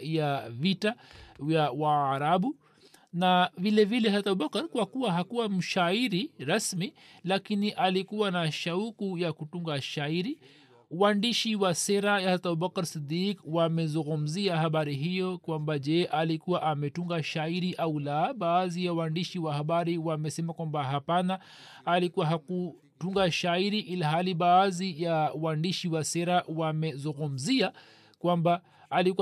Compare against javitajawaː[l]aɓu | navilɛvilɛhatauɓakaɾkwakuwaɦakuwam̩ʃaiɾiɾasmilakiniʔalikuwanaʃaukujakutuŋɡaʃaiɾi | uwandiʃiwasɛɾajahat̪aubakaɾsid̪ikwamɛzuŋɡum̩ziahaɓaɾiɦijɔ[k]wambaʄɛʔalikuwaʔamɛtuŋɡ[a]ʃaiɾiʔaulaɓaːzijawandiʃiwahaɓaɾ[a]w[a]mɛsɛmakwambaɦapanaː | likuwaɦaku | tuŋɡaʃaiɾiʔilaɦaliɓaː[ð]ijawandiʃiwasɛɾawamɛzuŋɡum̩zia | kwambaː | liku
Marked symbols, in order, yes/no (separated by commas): no, yes, yes, no, yes, no